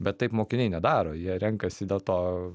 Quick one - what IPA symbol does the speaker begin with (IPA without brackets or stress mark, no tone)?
bʲ